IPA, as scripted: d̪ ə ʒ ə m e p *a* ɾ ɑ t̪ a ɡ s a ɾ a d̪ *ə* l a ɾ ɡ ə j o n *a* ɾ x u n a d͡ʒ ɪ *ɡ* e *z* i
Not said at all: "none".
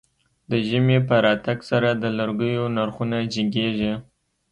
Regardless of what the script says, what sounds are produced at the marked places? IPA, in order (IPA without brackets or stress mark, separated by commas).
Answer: ə, ə, a, ɡ, ʒ